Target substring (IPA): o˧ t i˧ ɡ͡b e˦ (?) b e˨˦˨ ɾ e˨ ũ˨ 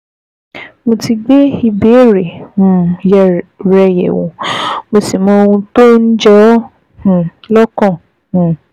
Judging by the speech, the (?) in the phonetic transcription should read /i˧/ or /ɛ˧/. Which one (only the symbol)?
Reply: i˧